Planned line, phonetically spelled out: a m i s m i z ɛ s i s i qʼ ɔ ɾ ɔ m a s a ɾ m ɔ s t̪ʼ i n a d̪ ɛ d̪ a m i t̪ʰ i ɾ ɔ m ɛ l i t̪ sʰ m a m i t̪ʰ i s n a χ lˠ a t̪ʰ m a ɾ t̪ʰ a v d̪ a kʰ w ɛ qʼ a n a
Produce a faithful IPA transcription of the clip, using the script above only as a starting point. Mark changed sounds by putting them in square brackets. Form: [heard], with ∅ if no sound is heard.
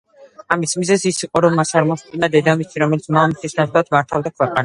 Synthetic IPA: a m i s m i z ɛ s i s i qʼ ɔ ɾ ɔ m a s a ɾ m ɔ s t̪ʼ i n a d̪ ɛ d̪ a m i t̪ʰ i ɾ ɔ m ɛ l i t̪ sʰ m a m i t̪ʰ i s n a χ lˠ a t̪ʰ m a ɾ t̪ʰ a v d̪ a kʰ w ɛ qʼ a n a